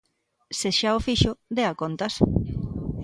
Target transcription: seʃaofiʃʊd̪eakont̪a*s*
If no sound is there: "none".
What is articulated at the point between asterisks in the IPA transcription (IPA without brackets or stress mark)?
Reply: s